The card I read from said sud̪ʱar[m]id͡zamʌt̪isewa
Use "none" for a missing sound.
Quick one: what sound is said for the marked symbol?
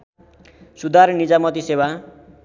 n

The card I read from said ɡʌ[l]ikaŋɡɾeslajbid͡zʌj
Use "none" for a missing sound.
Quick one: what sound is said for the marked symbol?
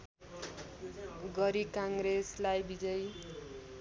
ɾ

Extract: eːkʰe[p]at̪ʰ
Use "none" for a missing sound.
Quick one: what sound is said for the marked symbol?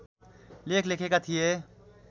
k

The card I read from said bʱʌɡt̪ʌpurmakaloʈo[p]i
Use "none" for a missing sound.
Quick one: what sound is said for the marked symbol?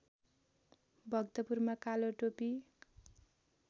p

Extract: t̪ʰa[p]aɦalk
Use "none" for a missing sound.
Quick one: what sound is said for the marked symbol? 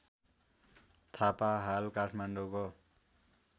p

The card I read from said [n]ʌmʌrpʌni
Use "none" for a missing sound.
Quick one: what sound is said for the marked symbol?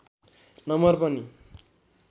n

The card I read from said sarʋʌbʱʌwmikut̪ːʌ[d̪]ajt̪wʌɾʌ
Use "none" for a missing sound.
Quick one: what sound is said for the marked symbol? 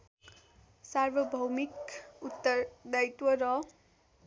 d̪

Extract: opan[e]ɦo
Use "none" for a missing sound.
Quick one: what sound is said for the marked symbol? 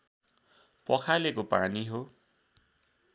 i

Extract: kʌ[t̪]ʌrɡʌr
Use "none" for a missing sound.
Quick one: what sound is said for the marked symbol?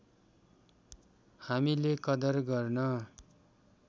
d̪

